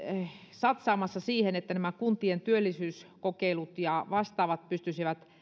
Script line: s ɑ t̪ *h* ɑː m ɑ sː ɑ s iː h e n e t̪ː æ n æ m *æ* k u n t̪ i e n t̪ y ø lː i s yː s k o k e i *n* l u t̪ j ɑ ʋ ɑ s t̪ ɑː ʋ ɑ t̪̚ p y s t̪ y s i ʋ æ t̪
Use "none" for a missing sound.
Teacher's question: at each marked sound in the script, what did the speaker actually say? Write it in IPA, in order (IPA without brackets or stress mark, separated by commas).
s, æ, none